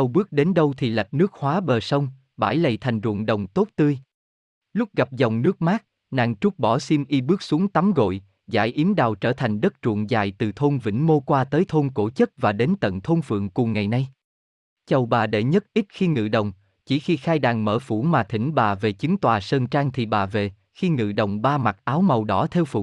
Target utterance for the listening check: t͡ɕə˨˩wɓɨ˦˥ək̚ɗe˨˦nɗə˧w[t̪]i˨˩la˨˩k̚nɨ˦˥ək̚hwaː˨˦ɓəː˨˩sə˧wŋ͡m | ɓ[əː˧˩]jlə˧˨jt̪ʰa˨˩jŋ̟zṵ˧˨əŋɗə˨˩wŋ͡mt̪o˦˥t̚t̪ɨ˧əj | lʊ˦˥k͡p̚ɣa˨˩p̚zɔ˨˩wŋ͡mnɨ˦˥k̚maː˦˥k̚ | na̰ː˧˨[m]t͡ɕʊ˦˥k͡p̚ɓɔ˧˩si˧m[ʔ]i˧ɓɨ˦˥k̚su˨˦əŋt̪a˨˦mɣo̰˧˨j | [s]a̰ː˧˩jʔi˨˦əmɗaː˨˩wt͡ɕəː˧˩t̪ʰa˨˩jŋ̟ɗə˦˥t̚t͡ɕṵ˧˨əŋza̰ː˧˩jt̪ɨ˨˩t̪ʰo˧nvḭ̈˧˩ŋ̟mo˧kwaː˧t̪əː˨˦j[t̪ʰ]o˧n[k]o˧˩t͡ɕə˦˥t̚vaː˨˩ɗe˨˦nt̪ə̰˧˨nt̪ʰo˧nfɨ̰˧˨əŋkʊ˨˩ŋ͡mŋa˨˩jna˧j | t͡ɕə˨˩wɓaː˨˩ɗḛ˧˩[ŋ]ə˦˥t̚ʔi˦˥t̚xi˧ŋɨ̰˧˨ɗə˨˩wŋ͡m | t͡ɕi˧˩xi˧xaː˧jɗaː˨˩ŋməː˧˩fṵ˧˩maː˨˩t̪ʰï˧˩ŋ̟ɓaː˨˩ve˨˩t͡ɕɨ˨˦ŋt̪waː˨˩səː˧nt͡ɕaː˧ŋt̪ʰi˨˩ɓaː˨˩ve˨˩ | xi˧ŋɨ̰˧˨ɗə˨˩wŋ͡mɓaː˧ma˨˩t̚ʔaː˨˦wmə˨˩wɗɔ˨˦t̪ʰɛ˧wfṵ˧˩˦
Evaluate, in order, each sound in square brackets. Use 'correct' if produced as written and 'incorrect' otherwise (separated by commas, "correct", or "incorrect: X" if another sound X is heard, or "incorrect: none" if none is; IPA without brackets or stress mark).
incorrect: t̪ʰ, incorrect: aː˧˩, incorrect: ŋ, correct, incorrect: z, correct, correct, incorrect: ɲ